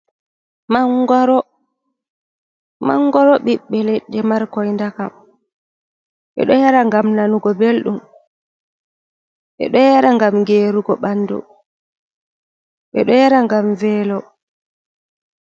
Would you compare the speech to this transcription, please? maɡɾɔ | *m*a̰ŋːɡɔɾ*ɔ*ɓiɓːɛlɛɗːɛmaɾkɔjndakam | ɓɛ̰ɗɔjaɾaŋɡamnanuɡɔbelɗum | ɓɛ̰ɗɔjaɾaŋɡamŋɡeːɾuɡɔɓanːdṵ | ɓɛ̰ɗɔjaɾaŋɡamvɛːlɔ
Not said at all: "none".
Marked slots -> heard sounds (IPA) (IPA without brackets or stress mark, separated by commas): m, ɔ